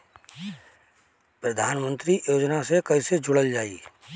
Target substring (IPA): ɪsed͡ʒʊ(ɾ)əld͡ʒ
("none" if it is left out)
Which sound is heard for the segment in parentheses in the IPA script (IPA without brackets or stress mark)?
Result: ɽ